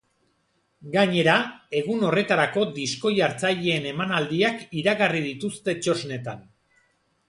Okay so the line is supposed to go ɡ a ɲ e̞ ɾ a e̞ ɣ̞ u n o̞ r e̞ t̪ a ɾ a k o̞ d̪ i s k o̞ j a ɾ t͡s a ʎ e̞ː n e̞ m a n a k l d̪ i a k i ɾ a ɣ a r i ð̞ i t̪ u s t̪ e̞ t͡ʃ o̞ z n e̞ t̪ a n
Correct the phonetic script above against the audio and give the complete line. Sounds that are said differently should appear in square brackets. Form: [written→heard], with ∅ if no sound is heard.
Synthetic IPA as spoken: ɡ a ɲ e̞ ɾ a e̞ ɣ̞ u n o̞ r e̞ t̪ a ɾ a k o̞ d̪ i s k o̞ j a ɾ t͡s a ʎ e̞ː n e̞ m a n a [k→∅] l d̪ i a k i ɾ a ɣ a r i ð̞ i t̪ u s t̪ e̞ t͡ʃ o̞ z n e̞ t̪ a n

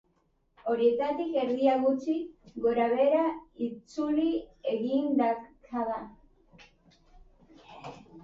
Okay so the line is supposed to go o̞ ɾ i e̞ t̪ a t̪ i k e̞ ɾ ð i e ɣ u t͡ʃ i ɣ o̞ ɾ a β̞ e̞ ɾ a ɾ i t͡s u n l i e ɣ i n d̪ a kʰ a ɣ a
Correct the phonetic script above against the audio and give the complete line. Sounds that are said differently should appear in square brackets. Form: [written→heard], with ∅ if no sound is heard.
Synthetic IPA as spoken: o̞ ɾ i e̞ t̪ a t̪ i k e̞ ɾ ð i [e→a] ɣ u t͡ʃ i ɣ o̞ ɾ a β̞ e̞ ɾ a [ɾ→∅] i t͡s u [n→∅] l i e ɣ i n d̪ a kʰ a [ɣ→ð] a

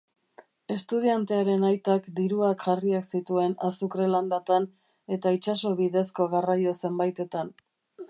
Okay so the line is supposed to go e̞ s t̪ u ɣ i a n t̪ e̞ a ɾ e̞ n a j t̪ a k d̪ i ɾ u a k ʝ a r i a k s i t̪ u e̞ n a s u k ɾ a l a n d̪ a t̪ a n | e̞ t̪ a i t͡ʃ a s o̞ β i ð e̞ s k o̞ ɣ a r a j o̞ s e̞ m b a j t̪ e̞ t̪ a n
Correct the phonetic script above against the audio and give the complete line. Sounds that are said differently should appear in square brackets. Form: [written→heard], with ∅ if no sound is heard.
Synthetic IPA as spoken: e̞ s t̪ u [ɣ→ð] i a n t̪ e̞ a ɾ e̞ n a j t̪ a k d̪ i ɾ u a k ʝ a r i a k s i t̪ u e̞ n a s u k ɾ [a→e] l a n d̪ a t̪ a n | e̞ t̪ a i t͡ʃ a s o̞ β i ð e̞ s k o̞ ɣ a r a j o̞ s e̞ m b a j t̪ e̞ t̪ a n

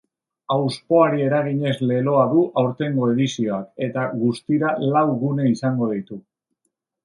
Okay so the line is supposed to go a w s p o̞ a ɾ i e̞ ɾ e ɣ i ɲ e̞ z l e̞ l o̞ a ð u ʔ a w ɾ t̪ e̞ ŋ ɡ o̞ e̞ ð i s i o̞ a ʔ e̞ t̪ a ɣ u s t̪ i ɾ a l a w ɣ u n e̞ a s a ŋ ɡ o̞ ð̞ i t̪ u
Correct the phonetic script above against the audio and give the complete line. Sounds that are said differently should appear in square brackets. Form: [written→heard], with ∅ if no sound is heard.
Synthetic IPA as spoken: a w s p o̞ a ɾ i e̞ ɾ [e→a] ɣ i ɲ e̞ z l e̞ l o̞ a ð u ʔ a w ɾ t̪ e̞ ŋ ɡ o̞ e̞ ð i s i o̞ a [ʔ→k] e̞ t̪ a ɣ u s t̪ i ɾ a l a w ɣ u n e̞ [a→i] s a ŋ ɡ o̞ ð̞ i t̪ u

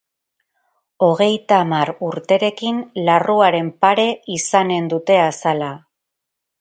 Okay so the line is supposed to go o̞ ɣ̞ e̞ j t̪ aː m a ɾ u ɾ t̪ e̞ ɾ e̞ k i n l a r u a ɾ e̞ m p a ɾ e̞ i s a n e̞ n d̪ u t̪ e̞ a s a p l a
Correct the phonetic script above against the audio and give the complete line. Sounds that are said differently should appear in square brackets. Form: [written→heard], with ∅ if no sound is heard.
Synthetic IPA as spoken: o̞ ɣ̞ e̞ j t̪ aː m a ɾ u ɾ t̪ e̞ ɾ e̞ k i n l a r u a ɾ e̞ m p a ɾ e̞ i s a n e̞ n d̪ u t̪ e̞ a s a [p→∅] l a

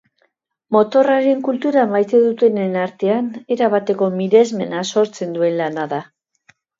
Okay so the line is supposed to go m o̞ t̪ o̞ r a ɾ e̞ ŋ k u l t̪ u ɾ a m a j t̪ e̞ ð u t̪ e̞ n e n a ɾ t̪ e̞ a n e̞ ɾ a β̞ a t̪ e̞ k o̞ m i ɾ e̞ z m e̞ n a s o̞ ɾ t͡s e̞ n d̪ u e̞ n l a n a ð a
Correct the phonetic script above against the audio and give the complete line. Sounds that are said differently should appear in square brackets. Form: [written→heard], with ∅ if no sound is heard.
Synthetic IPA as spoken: m o̞ t̪ o̞ r a ɾ e̞ ŋ k u l t̪ u ɾ a m a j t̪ e̞ ð u t̪ e̞ n e n a ɾ t̪ e̞ a n e̞ ɾ a β̞ a t̪ e̞ k o̞ m i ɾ e̞ z m e̞ n a s o̞ ɾ t͡s e̞ n d̪ u e̞ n l a n a ð a

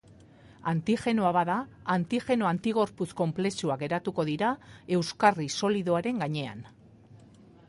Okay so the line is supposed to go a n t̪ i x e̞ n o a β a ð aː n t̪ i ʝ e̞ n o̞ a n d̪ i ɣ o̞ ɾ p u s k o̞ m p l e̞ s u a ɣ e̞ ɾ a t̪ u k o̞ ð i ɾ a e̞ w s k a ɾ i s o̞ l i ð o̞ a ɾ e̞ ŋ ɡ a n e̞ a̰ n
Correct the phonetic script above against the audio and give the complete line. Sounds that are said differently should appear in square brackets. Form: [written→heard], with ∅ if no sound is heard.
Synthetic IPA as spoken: a n t̪ i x e̞ n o a β a ð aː n t̪ i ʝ e̞ n o̞ a n [d̪→t̪] i ɣ o̞ ɾ p u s k o̞ m p l e̞ s u a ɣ e̞ ɾ a t̪ u k o̞ ð i ɾ a e̞ w s k a [ɾ→r] i s o̞ l i ð o̞ a ɾ e̞ ŋ ɡ a [n→ɲ] e̞ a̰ n

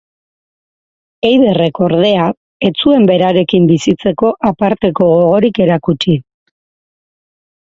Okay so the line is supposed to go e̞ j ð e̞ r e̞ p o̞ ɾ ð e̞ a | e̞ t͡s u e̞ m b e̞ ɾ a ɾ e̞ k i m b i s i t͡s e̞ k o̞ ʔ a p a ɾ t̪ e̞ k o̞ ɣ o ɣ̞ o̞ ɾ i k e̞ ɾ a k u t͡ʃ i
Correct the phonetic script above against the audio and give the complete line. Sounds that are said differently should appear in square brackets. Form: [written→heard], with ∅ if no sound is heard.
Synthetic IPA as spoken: e̞ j ð e̞ r e̞ [p→k] o̞ ɾ ð e̞ a | e̞ t͡s u e̞ m b e̞ ɾ a ɾ e̞ k i m b i s i t͡s e̞ k o̞ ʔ a p a ɾ t̪ e̞ k o̞ ɣ o ɣ̞ o̞ ɾ i k e̞ ɾ a k u t͡ʃ i

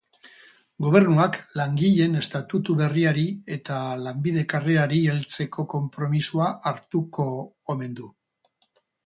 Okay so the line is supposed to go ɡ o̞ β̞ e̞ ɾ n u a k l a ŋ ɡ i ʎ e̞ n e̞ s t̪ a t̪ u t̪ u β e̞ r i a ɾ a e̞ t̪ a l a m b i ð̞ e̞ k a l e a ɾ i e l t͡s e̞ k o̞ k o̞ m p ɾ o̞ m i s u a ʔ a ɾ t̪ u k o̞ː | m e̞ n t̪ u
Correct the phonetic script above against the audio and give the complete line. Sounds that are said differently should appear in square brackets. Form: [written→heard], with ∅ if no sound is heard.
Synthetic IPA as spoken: ɡ o̞ β̞ e̞ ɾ n u a k l a ŋ ɡ i ʎ e̞ n e̞ s t̪ a t̪ u t̪ u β e̞ r i a ɾ [a→i] e̞ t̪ a l a m b i ð̞ e̞ k a [l→r] e a ɾ i e l t͡s e̞ k o̞ k o̞ m p ɾ o̞ m i s u a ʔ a ɾ t̪ u k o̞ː | m e̞ n [t̪→d̪] u

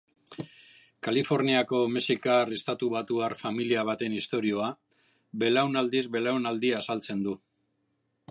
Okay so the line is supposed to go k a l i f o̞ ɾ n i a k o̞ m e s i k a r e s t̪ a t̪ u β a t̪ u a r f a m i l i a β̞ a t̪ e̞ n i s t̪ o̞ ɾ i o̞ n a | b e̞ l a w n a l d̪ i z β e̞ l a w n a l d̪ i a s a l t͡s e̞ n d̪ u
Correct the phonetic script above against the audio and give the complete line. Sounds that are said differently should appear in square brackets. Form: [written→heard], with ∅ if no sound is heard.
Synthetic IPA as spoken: k a l i f o̞ ɾ n i a k o̞ m e s i k a r e s t̪ a t̪ u β a t̪ u a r f a m i l i a β̞ a t̪ e̞ n i s t̪ o̞ ɾ i o̞ [n→∅] a | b e̞ l a w n a l d̪ i z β e̞ l a w n a l d̪ i a s a l t͡s e̞ n d̪ u

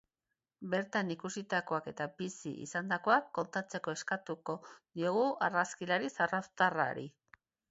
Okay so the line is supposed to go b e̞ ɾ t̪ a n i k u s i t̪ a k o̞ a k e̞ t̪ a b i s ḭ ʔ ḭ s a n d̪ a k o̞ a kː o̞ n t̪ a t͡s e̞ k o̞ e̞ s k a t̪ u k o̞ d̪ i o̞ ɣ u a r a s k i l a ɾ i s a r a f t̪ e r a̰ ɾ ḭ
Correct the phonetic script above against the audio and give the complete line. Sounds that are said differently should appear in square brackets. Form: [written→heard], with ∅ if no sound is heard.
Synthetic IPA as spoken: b e̞ ɾ t̪ a n i k u s i t̪ a k o̞ a k e̞ t̪ a b i s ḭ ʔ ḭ s a n d̪ a k o̞ a kː o̞ n t̪ a t͡s e̞ k o̞ e̞ s k a t̪ u k o̞ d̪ i o̞ ɣ u a r a s k i l a ɾ i s a r a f t̪ [e→a] r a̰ ɾ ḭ

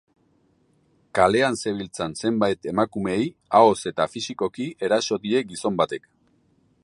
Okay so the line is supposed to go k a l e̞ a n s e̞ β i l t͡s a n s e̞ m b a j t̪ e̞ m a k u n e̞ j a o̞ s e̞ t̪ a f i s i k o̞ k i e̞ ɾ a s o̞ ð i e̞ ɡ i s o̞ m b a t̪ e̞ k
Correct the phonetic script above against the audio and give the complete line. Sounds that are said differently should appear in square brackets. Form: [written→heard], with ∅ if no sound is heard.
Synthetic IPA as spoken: k a l e̞ a n s e̞ β i l t͡s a n s e̞ m b a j t̪ e̞ m a k u [n→m] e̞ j a o̞ s e̞ t̪ a f i s i k o̞ k i e̞ ɾ a s o̞ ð i e̞ ɡ i s o̞ m b a t̪ e̞ k

